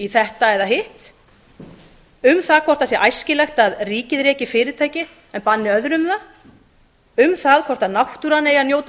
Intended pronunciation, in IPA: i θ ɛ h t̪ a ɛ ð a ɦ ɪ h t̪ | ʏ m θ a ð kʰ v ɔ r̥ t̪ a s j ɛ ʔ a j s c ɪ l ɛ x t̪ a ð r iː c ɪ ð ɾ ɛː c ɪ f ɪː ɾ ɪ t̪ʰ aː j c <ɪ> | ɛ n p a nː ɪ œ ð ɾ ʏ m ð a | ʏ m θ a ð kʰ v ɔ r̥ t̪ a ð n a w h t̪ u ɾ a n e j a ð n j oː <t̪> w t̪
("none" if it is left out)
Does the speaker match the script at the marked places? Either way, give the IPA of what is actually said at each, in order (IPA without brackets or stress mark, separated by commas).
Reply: ɪ, none